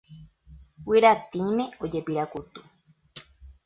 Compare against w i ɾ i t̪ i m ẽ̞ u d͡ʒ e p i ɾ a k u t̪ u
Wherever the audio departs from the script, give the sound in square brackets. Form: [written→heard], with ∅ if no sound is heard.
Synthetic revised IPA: w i ɾ [i→a] t̪ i m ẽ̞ [u→o] d͡ʒ e p i ɾ a k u t̪ u